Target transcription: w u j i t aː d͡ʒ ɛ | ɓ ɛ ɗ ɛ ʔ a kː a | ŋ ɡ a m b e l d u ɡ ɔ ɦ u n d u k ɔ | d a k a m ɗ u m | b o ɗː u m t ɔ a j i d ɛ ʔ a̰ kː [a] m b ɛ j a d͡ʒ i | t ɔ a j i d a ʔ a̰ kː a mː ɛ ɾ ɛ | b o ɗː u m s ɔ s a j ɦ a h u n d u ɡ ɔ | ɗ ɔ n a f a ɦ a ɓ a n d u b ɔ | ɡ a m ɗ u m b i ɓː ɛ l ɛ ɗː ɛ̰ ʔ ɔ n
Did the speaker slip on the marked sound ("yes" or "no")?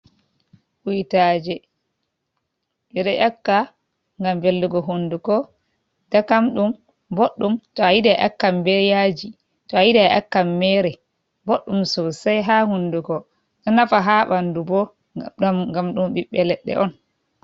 no